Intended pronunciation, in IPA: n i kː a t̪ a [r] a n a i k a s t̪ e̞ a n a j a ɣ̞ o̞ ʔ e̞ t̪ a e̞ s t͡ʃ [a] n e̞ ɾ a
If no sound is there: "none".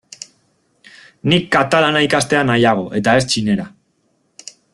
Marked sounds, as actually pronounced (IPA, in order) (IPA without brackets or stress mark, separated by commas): l, i